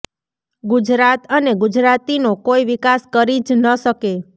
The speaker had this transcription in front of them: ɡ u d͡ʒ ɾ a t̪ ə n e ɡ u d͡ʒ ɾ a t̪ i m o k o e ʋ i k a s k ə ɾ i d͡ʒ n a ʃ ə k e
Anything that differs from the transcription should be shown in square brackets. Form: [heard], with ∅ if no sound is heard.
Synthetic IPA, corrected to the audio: ɡ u d͡ʒ ɾ a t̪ ə n e ɡ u d͡ʒ ɾ a t̪ i [n] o k o [i] ʋ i k a s k ə ɾ i d͡ʒ n [ə] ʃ ə k e